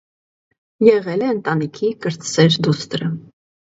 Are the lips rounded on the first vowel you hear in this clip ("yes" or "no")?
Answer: no